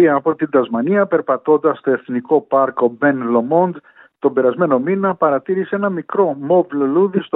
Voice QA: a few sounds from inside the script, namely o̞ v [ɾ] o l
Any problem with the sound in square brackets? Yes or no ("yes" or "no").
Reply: yes